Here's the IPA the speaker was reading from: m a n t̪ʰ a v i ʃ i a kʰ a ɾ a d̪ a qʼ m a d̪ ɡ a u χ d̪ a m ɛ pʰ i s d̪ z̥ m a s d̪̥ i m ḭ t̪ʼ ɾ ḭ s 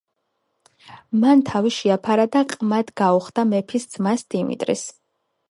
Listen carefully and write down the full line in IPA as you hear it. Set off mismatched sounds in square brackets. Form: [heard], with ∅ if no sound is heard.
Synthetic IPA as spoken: m a n t̪ʰ a v i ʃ i a [pʰ] a ɾ a d̪ a qʼ m a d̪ ɡ a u χ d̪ a m ɛ pʰ i s d̪ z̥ m a s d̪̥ i m ḭ t̪ʼ ɾ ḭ s